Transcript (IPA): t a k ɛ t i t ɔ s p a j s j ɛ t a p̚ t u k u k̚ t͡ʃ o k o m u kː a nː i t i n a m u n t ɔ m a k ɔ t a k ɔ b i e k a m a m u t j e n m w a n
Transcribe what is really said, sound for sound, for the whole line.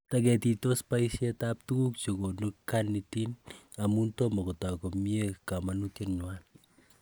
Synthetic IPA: t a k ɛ t i t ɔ s p a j s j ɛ t a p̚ t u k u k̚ t͡ʃ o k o n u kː a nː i t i n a m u n t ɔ m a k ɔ t a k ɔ m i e k a m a n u t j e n ɲ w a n

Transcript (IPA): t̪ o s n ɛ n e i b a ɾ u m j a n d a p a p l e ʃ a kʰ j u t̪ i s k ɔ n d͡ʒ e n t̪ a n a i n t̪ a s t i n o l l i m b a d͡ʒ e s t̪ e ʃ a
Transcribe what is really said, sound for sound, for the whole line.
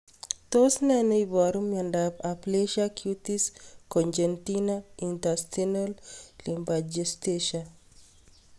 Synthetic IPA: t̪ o s n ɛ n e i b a ɾ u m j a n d a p a p l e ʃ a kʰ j u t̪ i s k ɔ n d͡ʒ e n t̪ i n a i n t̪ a s t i n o l l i m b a d͡ʒ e s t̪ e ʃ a

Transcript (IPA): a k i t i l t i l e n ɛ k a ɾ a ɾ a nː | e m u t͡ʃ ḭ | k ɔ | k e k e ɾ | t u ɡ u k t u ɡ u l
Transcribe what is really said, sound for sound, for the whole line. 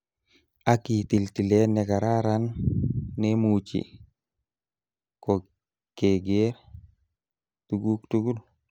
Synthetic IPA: a k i t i l t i l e n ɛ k a ɾ a ɾ a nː | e m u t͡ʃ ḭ | k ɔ | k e ɡ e ɾ | t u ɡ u k t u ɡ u l

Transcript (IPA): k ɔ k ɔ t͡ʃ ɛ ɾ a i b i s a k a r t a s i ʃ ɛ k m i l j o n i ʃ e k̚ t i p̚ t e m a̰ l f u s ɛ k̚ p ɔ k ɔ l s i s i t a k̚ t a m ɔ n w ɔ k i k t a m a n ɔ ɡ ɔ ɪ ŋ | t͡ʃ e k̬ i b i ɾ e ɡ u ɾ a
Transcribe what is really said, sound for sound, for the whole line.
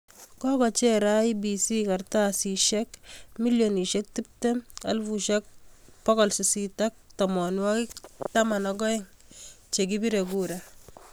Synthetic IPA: k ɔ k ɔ t͡ʃ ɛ ɾ a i b i s i k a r t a s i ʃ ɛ k m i l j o n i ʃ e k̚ t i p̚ t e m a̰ l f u ʃ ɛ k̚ p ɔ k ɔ l s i s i t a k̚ t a m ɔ n w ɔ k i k t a m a n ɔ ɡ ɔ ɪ ŋ | t͡ʃ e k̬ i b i ɾ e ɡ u ɾ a

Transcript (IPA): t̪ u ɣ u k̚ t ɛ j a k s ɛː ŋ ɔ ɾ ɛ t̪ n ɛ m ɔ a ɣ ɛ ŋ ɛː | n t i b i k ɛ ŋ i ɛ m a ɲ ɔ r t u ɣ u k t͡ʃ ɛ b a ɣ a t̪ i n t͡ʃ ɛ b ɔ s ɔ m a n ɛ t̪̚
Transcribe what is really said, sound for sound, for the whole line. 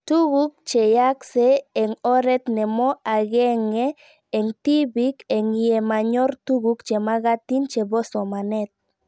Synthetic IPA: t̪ u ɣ u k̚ t͡ʃ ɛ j a k s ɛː ŋ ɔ ɾ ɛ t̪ n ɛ m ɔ a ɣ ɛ ŋ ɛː | ŋ t i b i k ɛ ŋ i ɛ m a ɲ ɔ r t u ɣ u k t͡ʃ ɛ m a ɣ a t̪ i n t͡ʃ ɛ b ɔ s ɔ m a n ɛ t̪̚

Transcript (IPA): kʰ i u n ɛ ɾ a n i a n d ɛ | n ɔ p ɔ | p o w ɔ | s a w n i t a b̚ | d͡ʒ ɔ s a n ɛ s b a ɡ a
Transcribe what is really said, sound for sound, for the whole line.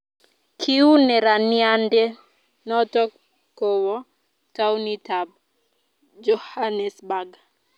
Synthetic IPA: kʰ i u n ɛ ɾ a n i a n d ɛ | n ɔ t ɔ | k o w ɔ | t a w n i t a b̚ | d͡ʒ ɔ h a n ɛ s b a ɡ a

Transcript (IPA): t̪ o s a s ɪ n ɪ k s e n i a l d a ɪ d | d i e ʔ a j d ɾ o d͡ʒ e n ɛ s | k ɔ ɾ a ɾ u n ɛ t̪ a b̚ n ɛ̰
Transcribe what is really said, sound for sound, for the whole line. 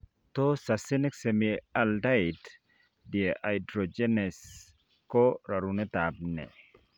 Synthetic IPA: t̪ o s a s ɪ n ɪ k s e m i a l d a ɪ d | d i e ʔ a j d ɾ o d͡ʒ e n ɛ s | k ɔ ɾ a ɾ u n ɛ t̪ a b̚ n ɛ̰

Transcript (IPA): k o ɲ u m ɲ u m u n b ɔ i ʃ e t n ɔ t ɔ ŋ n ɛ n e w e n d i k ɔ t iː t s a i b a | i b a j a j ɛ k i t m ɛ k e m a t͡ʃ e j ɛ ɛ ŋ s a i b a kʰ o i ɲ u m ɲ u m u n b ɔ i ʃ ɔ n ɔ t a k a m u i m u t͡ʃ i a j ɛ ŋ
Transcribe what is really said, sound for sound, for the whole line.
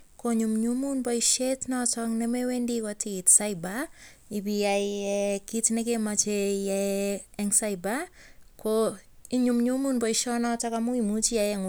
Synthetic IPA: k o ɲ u m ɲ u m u n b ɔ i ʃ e t n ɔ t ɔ ŋ n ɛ m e w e n d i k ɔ t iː t s a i b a | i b i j a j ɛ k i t n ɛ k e m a t͡ʃ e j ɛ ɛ ŋ s a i b a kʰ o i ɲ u m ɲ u m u n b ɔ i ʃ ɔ n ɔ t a k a m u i m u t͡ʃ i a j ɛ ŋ

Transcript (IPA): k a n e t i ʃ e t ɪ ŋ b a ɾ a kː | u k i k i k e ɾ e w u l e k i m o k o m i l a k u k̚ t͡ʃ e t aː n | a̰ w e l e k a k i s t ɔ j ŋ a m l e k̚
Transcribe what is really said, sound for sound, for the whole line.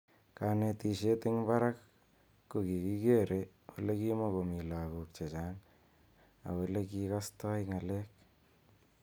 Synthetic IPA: k a n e t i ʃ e t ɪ ŋ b a ɾ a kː | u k i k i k e ɾ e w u l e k i m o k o m i l a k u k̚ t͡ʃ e t͡ʃ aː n | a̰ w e l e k i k a s t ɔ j ŋ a l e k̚

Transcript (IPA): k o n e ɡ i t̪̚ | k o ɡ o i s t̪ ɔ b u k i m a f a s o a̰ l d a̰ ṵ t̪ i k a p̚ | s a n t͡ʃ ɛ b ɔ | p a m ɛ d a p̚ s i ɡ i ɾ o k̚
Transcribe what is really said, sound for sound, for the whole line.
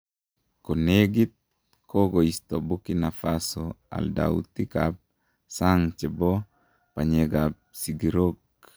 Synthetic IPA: k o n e ɡ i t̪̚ | k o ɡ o i s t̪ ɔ b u k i n a f a s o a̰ l d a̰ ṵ t̪ i k a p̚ | s a ŋ t͡ʃ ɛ b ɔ | p a ɲ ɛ ɡ a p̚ s i ɡ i ɾ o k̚

